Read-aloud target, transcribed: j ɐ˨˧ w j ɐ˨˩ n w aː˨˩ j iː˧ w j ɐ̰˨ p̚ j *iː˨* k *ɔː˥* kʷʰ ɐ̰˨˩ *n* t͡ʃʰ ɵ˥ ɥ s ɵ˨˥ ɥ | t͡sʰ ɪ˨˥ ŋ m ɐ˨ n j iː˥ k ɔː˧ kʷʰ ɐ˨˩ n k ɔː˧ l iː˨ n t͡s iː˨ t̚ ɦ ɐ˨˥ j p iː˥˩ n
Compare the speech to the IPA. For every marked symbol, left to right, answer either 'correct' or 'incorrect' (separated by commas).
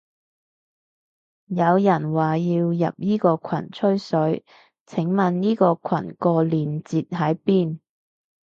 incorrect, incorrect, correct